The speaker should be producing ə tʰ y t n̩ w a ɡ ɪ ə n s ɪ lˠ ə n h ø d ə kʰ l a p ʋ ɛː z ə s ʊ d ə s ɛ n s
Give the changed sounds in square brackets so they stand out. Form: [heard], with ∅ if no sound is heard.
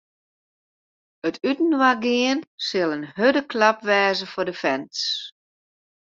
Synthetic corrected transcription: ə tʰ y t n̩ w a ɡ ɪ ə n s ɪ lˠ ə n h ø d ə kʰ l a p ʋ ɛː z ə [f] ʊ d ə [f] ɛ n s

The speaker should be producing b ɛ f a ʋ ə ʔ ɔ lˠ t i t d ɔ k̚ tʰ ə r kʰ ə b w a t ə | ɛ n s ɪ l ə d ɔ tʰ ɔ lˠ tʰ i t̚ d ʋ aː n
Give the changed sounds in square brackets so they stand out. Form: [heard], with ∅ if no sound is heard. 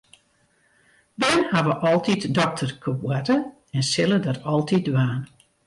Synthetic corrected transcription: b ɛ [h] a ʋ ə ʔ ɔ lˠ t i t d ɔ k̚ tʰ ə r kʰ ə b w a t ə | ɛ n s ɪ l ə d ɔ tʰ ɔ lˠ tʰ i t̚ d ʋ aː n

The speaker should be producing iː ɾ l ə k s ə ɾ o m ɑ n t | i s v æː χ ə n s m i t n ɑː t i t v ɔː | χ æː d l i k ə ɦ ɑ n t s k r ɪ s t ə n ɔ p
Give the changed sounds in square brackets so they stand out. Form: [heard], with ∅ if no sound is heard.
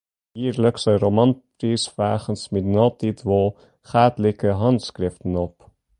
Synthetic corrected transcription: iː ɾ l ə k s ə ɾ o m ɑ n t | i s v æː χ ə n s m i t n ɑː t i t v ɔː | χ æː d l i k ə ɦ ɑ n t s k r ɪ [f] t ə n ɔ p

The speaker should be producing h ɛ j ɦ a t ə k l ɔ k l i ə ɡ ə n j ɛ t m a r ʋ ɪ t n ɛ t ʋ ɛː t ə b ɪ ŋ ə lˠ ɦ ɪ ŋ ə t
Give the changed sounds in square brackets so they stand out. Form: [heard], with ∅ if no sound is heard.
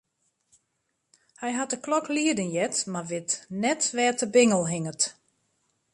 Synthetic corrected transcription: h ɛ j ɦ a t ə k l ɔ k l i ə [d] ə n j ɛ t m a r ʋ ɪ t n ɛ t ʋ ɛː t ə b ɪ ŋ ə lˠ ɦ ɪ ŋ ə t

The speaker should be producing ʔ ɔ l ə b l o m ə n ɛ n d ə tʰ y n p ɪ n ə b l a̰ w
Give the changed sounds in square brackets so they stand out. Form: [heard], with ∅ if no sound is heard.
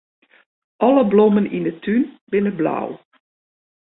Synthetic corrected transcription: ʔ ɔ l ə b l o m ə n [i] n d ə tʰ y n [b] ɪ n ə b l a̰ w

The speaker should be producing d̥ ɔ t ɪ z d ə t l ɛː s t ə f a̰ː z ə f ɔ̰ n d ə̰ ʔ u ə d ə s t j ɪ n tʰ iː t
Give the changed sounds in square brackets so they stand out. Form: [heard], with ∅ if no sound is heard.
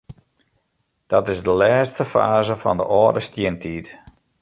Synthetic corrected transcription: d̥ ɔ t ɪ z d ə [∅] l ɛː s t ə f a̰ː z ə f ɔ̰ n d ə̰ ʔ [ɔ] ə d ə s t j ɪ n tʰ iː t

